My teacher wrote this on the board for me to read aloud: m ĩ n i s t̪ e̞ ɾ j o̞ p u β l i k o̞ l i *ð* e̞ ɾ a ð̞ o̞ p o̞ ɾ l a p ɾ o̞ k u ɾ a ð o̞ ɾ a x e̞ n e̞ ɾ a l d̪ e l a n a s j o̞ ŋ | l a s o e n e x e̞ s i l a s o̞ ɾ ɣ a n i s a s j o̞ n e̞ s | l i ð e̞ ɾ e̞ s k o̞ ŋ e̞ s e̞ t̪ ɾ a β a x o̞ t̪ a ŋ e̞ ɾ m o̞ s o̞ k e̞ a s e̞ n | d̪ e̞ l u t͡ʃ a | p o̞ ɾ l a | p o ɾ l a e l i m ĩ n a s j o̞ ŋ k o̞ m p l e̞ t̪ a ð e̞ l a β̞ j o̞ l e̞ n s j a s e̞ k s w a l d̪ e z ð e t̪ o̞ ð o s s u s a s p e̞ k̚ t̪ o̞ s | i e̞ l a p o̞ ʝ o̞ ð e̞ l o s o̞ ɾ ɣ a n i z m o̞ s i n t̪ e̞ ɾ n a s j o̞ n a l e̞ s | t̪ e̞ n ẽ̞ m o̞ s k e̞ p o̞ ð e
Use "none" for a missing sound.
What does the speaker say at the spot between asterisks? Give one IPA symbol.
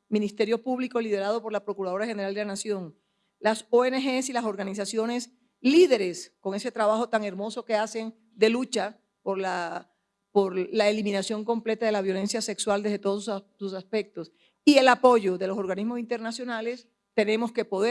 ð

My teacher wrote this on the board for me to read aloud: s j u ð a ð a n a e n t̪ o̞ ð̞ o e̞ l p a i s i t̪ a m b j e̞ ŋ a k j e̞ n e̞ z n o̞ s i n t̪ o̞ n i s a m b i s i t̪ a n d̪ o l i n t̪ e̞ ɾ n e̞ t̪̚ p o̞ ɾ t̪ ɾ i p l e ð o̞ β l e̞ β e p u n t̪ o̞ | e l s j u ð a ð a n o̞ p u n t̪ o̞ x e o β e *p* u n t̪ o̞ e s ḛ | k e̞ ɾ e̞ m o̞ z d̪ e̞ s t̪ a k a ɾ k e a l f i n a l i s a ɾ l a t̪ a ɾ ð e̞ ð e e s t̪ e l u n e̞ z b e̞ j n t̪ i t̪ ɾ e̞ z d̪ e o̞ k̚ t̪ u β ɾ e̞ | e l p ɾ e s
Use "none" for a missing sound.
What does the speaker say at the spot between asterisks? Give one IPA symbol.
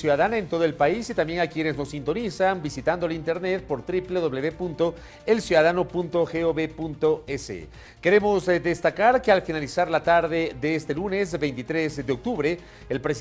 p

